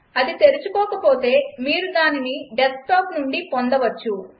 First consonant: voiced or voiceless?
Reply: voiced